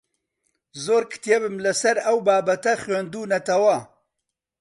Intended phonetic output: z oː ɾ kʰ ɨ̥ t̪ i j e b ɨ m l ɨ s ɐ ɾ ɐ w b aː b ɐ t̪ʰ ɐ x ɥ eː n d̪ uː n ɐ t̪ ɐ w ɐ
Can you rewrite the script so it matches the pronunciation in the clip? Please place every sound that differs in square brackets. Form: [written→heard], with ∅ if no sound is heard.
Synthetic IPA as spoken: z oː ɾ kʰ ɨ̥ t̪ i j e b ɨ m l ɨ s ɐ ɾ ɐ w b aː b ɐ [t̪ʰ→t̪] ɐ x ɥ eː n d̪ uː n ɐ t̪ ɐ w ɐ